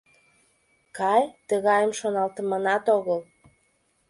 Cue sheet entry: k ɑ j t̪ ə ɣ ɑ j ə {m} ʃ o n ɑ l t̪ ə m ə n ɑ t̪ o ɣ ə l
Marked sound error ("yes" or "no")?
no